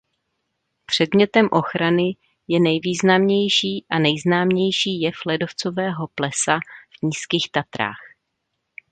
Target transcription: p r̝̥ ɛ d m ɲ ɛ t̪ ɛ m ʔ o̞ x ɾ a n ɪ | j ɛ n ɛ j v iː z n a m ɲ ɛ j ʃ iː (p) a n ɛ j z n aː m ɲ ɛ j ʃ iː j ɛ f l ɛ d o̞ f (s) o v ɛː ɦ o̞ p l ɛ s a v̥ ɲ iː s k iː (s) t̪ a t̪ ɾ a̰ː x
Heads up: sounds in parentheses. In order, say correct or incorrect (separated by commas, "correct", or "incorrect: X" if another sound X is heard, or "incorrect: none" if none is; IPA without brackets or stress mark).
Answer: incorrect: ʔ, incorrect: t͡s, incorrect: x